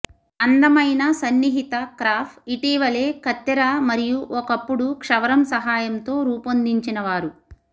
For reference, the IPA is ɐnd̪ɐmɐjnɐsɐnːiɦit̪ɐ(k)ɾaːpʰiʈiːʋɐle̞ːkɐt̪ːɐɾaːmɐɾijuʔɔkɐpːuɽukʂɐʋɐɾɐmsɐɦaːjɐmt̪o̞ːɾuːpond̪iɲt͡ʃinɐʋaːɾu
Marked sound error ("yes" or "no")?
no